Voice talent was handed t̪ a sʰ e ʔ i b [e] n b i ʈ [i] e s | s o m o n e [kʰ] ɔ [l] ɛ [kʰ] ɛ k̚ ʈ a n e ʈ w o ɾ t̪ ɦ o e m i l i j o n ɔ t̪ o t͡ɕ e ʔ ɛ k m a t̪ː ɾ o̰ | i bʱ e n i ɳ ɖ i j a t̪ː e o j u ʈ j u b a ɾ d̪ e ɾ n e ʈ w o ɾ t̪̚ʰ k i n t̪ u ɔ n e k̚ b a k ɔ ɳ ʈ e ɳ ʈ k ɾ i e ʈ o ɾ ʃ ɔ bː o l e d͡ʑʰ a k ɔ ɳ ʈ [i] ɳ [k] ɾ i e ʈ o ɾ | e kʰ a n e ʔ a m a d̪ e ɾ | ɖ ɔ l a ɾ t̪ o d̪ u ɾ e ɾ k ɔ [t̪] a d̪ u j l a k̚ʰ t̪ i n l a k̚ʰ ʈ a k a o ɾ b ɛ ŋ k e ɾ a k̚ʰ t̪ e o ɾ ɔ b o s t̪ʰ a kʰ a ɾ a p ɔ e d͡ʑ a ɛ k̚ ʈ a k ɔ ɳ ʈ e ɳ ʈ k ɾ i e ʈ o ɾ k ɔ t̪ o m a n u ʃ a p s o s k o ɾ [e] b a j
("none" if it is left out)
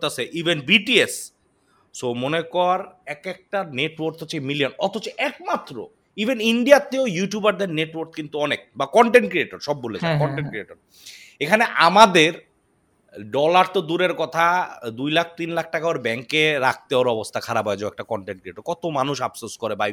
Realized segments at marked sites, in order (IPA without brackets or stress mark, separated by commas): e, i, k, ɾ, k, e, k, t̪ʰ, e